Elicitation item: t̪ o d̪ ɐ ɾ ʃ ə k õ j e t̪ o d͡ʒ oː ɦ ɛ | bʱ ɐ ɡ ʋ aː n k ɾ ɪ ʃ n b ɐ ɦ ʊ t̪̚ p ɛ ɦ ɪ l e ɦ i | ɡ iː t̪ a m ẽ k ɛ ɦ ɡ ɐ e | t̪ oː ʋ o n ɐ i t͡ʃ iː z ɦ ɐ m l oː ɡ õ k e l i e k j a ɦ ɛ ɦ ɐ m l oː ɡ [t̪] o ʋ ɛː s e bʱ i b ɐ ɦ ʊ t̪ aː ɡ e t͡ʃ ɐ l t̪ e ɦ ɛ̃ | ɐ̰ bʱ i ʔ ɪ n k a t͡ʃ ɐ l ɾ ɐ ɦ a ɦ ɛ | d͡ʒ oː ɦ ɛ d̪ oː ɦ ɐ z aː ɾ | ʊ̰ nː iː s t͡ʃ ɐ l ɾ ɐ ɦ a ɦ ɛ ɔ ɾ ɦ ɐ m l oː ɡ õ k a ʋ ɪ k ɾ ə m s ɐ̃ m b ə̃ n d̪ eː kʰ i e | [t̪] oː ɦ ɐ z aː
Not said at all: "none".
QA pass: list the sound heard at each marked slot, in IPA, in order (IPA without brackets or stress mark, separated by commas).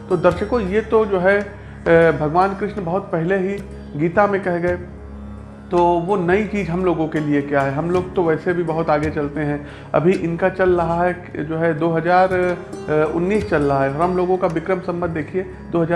t̪, d̪